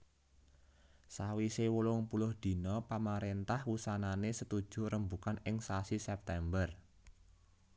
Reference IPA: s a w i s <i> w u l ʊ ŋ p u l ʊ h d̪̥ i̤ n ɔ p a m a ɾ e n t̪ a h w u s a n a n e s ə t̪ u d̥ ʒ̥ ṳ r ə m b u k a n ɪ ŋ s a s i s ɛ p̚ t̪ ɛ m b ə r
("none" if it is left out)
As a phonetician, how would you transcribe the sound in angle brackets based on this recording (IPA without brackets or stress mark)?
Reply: e